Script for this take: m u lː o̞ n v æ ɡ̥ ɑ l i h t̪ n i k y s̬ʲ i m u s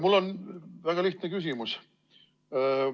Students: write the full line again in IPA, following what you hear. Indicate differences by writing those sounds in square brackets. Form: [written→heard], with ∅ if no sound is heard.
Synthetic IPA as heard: m u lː o̞ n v æ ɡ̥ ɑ l i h t̪ n [i→e] k y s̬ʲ i m u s